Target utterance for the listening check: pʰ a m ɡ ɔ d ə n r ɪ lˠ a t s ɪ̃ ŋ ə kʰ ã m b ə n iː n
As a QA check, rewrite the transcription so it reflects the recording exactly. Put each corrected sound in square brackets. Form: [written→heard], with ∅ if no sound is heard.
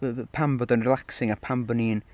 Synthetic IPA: pʰ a m [ɡ→b] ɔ d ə n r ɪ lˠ a [t→k] s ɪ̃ ŋ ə [kʰ→pʰ] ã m b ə n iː n